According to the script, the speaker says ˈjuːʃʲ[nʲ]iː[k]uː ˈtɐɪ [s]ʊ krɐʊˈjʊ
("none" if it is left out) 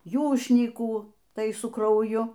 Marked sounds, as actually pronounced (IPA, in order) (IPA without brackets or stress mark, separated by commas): nʲ, k, s